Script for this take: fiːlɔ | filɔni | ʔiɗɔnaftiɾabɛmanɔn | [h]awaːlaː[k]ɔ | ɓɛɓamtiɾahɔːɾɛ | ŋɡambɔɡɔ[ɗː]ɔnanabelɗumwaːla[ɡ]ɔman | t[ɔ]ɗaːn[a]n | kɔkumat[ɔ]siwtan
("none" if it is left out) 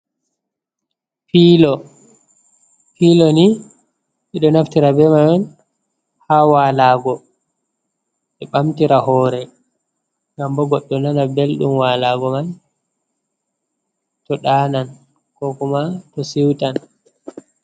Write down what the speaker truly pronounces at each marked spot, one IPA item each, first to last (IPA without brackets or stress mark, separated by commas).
h, ɡ, ɗː, ɡ, ɔ, a, ɔ